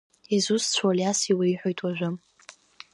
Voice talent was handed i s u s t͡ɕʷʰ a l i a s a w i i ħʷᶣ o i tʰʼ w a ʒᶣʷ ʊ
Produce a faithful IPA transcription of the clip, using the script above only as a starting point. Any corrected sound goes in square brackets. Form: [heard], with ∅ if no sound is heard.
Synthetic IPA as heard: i [z] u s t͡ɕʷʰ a l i a s [i] w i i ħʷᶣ o [j] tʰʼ w a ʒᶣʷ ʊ